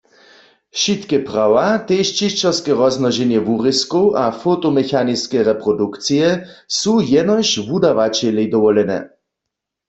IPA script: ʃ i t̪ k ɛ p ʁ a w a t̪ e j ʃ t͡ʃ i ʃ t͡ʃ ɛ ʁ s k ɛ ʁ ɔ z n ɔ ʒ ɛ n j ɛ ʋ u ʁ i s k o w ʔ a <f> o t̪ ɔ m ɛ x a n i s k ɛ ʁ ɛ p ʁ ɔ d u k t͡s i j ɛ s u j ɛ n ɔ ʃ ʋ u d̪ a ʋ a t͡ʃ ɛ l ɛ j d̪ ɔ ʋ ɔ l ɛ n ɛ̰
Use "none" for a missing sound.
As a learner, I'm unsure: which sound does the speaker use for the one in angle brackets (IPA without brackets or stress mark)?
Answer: f